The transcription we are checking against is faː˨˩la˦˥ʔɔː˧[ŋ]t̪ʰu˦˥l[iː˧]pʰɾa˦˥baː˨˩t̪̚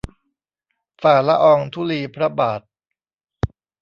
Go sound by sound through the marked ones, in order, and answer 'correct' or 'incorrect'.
correct, correct

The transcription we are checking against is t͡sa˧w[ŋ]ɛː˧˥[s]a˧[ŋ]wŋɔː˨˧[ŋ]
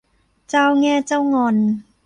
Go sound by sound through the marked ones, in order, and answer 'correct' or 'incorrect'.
correct, incorrect, incorrect, incorrect

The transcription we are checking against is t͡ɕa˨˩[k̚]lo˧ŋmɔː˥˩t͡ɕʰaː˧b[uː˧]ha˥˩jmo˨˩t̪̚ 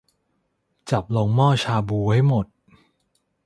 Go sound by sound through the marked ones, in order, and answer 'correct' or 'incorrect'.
incorrect, correct

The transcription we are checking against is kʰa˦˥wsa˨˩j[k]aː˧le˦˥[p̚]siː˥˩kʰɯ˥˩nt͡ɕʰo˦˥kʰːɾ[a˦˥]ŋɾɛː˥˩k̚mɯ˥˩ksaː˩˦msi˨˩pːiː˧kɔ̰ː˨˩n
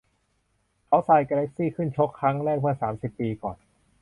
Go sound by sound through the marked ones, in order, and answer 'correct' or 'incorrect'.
correct, incorrect, correct

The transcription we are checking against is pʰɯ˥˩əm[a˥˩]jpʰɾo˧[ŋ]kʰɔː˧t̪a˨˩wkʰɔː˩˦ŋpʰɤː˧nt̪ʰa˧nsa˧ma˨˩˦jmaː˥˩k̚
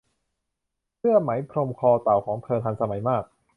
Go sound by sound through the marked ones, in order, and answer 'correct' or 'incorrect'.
incorrect, incorrect

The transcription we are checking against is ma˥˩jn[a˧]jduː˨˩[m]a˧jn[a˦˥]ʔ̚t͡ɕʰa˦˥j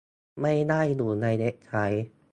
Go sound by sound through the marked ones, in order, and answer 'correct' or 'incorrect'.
incorrect, incorrect, incorrect

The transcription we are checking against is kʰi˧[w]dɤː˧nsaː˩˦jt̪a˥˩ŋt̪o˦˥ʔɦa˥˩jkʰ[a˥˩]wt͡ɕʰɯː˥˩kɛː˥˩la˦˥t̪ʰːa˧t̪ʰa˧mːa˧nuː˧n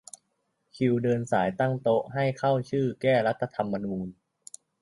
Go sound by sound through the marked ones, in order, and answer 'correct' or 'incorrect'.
correct, correct

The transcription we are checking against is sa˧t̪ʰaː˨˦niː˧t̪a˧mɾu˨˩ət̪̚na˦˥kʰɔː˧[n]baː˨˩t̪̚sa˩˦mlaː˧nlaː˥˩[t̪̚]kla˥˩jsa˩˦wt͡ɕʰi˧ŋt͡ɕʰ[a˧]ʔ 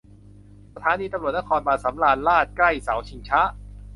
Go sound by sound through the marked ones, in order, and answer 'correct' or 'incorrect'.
correct, correct, incorrect

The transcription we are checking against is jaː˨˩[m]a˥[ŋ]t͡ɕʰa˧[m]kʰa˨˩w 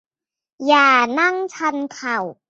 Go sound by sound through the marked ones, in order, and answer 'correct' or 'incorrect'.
incorrect, correct, incorrect

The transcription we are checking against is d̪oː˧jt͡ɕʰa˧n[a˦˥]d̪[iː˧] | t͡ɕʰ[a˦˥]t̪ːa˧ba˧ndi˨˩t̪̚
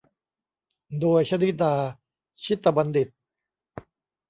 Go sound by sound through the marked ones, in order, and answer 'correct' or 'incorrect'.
incorrect, incorrect, incorrect

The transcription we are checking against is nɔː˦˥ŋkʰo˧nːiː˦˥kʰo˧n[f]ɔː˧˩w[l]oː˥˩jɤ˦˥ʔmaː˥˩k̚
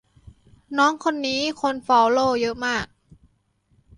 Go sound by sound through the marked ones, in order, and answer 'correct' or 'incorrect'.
correct, correct

